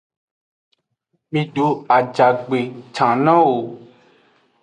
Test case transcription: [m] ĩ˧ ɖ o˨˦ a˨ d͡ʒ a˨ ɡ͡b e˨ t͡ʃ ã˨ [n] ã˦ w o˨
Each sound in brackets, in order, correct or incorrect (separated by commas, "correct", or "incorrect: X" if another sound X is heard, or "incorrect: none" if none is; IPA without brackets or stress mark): correct, correct